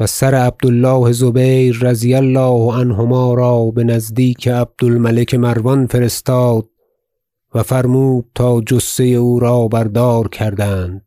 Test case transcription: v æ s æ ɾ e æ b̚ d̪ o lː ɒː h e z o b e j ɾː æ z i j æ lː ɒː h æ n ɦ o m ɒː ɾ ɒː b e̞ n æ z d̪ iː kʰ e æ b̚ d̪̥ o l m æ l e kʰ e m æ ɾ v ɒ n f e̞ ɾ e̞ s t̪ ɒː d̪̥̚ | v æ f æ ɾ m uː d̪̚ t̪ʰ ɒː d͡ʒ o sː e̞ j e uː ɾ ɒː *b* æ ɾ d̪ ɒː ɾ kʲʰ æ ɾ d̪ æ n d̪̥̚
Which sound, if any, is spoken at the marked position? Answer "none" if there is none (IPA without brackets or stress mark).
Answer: b